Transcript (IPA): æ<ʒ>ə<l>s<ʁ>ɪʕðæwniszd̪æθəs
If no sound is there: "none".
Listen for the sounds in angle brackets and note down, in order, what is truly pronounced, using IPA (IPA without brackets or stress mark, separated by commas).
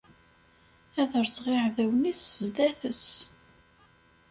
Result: ð, ɾ, ʁ